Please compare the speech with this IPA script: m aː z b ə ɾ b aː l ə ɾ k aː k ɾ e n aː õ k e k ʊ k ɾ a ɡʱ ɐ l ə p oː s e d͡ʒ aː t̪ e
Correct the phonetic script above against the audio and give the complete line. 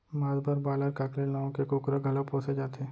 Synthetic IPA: m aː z b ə ɾ b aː l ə ɾ k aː k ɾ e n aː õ k e k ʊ k ɾ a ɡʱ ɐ l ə p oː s e d͡ʒ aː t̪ e